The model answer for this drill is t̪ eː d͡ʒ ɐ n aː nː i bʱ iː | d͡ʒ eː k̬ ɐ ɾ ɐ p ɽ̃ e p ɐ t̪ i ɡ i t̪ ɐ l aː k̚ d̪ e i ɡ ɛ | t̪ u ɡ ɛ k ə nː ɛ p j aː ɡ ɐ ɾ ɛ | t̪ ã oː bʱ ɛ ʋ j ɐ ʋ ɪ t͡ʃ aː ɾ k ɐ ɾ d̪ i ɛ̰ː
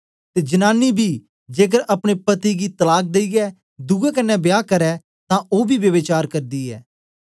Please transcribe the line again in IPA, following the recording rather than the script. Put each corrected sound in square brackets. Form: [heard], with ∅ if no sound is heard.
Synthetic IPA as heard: t̪ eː d͡ʒ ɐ n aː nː i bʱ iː | d͡ʒ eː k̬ [ə] ɾ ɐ p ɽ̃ e p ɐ t̪ i ɡ i t̪ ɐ l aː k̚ d̪ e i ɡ ɛ | [d̪] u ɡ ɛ k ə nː ɛ [b] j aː [k] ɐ ɾ ɛ | t̪ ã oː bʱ [i] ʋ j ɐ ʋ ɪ t͡ʃ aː ɾ k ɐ ɾ d̪ i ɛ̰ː